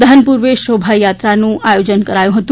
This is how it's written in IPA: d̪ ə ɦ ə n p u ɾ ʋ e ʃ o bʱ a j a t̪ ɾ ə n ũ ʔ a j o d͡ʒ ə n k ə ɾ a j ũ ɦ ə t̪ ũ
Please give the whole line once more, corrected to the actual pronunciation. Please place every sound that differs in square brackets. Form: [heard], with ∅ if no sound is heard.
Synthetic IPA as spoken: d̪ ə ɦ ə n p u ɾ ʋ e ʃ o bʱ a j a t̪ ɾ [a] n ũ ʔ a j o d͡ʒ ə n k ə ɾ a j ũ ɦ ə t̪ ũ